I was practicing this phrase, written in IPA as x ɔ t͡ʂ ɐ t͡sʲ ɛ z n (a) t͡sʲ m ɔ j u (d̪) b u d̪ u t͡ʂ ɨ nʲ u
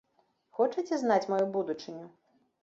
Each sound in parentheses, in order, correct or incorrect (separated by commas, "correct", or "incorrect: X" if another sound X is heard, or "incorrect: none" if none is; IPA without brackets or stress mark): correct, incorrect: none